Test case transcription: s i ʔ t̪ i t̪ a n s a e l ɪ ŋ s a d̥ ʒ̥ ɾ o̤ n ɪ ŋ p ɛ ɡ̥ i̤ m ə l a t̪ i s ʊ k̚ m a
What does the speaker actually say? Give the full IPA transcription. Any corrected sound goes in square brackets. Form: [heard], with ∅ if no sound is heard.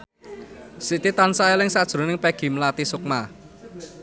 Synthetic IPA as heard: s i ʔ t̪ i t̪ a n s a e l ɪ ŋ s a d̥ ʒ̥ ɾ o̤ n ɪ ŋ p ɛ ɡ̥ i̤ m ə l a t̪ i s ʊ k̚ m a